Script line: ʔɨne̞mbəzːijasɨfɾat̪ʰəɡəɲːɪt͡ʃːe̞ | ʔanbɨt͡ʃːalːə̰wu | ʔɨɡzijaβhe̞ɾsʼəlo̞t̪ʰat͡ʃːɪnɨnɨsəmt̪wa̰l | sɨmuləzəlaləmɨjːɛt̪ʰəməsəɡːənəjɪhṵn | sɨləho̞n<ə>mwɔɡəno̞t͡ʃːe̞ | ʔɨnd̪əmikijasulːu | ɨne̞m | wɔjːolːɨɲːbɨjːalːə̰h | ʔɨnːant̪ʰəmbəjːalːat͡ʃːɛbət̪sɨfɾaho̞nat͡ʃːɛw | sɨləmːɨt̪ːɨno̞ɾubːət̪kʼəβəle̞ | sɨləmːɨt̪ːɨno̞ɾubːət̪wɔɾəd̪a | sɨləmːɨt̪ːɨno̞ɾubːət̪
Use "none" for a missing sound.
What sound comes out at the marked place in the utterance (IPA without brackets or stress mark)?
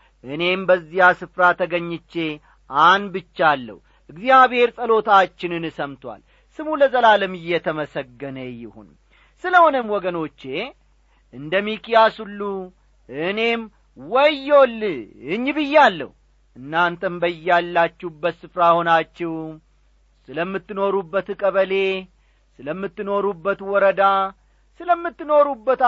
ə